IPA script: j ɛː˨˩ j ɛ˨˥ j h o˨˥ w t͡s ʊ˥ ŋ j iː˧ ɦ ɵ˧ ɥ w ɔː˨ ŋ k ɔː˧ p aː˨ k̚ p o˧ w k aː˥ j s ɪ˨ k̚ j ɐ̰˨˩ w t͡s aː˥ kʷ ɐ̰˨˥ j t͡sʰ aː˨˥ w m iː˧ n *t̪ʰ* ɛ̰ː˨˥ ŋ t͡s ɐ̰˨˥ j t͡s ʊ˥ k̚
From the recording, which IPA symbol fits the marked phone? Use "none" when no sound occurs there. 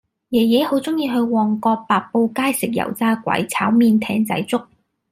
t̪ʰ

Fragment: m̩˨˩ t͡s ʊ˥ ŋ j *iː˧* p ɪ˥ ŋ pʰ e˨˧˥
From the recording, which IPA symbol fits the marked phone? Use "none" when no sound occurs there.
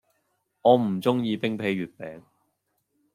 iː˧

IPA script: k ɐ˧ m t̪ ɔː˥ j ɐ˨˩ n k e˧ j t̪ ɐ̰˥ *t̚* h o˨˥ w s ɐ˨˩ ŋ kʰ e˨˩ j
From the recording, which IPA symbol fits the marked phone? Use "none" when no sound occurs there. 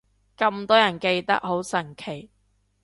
k̚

